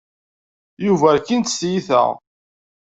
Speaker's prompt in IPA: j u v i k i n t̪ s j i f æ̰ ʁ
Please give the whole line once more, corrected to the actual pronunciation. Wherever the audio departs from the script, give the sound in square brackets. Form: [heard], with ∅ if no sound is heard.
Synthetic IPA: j u v [æ] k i n t̪ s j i [θ] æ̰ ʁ